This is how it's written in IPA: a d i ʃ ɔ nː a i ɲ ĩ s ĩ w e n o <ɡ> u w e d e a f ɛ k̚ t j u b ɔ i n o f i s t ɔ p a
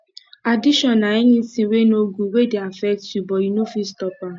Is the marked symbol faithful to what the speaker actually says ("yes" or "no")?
yes